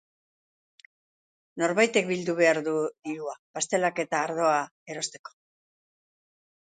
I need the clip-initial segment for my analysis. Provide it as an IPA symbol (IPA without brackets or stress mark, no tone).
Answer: n